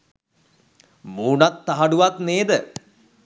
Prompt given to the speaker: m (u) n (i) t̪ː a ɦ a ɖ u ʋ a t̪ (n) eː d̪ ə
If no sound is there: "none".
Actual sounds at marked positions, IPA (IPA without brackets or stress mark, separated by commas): uː, a, n